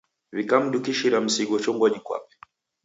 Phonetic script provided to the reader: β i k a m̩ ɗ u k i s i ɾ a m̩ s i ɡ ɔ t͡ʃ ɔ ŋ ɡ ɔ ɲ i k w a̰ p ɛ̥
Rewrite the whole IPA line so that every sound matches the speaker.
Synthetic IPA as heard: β i k a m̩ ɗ u k i ʃ i ɾ a m̩ s i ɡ ɔ t͡ʃ ɔ ŋ ɡ ɔ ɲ i k w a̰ p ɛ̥